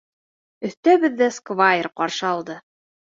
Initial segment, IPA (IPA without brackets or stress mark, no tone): ɵ̆